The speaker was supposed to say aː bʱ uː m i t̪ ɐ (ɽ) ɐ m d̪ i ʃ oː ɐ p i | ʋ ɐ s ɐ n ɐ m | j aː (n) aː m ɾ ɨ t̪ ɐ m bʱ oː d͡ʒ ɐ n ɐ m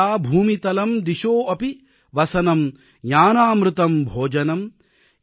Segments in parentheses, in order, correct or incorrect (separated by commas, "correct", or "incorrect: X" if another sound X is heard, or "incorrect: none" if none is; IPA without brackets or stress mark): incorrect: l, correct